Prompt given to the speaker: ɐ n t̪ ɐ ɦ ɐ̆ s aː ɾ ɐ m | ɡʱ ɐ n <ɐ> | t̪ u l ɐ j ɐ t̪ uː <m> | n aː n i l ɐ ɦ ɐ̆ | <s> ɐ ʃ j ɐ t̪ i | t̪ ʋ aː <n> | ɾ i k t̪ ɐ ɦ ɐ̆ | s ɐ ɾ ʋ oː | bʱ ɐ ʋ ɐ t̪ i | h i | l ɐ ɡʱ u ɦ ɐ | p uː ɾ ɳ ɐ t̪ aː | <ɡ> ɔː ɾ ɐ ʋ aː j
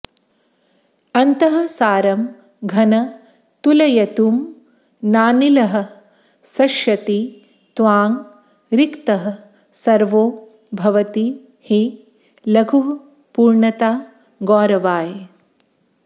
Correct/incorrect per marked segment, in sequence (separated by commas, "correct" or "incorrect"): correct, correct, correct, incorrect, correct